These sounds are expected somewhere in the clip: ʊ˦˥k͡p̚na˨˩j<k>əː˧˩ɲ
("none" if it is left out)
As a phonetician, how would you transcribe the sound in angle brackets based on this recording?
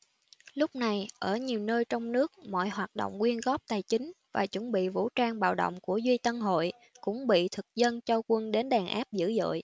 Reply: ʔ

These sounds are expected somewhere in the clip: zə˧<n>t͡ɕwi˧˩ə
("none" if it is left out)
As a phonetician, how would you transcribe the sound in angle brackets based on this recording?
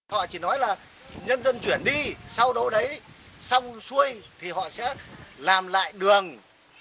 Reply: n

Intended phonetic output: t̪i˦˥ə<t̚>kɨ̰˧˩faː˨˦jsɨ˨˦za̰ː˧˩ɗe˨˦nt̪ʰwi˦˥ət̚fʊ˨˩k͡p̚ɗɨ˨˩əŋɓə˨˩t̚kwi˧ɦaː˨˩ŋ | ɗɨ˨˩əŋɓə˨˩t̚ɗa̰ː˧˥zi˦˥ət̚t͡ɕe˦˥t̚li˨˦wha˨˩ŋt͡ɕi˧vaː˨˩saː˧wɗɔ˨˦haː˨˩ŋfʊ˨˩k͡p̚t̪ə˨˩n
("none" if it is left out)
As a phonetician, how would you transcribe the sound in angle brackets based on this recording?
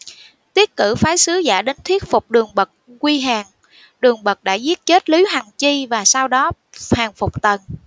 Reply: t̚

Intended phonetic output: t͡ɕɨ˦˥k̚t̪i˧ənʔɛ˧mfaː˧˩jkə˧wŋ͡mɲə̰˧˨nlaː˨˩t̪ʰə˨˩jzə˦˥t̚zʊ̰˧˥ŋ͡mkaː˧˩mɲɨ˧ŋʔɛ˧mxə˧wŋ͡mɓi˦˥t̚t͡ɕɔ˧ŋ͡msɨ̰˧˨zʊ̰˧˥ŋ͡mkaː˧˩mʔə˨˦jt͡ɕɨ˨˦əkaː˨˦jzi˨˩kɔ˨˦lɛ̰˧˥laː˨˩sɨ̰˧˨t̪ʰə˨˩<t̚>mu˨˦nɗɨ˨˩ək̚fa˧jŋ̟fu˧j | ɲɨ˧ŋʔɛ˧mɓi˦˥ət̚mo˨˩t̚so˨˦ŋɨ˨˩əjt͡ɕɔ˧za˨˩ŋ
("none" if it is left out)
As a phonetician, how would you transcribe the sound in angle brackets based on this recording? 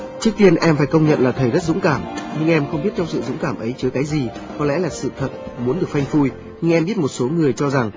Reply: t̚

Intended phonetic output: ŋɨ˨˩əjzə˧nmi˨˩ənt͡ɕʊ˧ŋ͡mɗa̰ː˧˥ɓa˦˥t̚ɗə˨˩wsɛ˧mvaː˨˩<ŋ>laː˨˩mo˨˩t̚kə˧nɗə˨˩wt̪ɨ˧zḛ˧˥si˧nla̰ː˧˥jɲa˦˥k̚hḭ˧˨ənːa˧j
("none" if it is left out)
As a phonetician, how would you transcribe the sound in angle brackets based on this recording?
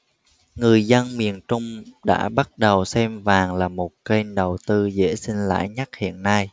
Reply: ŋ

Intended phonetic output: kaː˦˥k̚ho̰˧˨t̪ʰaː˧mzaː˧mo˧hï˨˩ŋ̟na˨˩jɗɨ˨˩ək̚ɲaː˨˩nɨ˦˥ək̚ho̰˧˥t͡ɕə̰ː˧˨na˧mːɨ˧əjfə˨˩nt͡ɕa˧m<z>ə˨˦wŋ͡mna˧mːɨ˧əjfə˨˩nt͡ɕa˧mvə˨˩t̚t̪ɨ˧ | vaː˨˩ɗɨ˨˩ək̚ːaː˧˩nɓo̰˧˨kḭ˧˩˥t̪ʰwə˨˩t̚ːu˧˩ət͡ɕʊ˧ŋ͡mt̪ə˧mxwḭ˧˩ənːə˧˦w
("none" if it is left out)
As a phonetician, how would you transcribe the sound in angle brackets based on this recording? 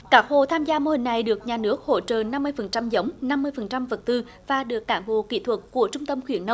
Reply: z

